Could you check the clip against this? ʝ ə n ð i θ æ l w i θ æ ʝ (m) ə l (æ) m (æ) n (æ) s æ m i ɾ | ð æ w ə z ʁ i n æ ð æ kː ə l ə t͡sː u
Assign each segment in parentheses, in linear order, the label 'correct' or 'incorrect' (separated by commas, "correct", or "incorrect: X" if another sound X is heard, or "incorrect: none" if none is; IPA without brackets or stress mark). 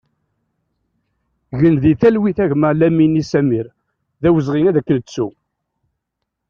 correct, correct, incorrect: i, incorrect: i